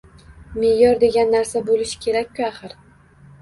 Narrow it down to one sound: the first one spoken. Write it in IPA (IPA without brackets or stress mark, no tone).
m